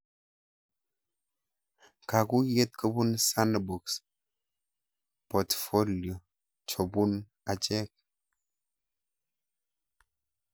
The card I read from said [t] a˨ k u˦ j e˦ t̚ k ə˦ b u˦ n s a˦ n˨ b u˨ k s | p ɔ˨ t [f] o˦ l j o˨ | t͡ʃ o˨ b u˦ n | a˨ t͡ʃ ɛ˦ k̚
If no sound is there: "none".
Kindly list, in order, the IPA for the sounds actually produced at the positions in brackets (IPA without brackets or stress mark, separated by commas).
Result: k, f